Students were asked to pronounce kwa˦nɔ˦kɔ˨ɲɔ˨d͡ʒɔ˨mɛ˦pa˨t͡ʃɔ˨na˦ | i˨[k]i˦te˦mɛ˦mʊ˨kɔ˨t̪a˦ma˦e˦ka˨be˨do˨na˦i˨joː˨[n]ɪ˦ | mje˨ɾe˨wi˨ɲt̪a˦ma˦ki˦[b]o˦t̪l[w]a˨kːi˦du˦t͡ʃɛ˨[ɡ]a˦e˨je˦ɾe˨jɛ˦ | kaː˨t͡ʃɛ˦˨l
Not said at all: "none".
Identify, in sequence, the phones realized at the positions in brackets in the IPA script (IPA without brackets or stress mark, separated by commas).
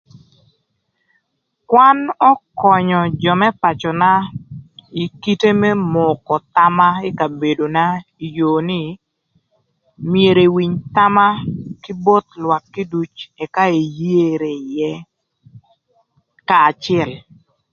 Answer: k, n, b, w, k